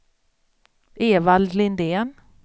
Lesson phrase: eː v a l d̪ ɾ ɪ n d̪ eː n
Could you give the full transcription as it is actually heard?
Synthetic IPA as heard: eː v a l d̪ l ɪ n d̪ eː n